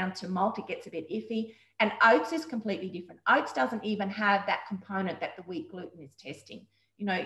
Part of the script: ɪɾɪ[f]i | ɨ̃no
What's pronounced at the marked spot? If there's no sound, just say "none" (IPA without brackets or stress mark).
f